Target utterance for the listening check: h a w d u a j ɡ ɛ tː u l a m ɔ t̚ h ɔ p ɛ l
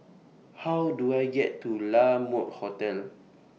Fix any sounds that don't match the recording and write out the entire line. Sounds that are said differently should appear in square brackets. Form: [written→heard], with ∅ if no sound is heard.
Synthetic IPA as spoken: h a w d u a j ɡ ɛ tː u l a m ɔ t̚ h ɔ [p→t] ɛ l